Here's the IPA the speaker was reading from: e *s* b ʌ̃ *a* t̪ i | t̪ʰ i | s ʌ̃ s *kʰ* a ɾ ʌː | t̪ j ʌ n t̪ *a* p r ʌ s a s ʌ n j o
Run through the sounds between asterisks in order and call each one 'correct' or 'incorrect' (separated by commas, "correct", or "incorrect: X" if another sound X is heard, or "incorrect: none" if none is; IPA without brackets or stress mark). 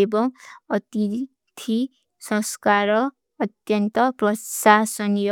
incorrect: none, incorrect: ʌ, incorrect: k, incorrect: ʌ